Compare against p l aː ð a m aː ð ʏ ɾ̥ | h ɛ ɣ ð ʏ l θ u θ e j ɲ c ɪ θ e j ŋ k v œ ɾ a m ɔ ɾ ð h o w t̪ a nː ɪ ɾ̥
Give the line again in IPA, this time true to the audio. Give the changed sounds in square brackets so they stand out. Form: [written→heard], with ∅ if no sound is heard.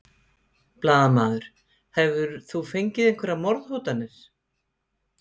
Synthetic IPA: p l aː ð a m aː ð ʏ ɾ̥ | h ɛ [ɣ→v] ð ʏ [l→ɾ] θ u [θ→f] e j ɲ c ɪ [θ→ð] e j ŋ k v [œ→ɛ] ɾ a m ɔ ɾ ð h o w t̪ a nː ɪ ɾ̥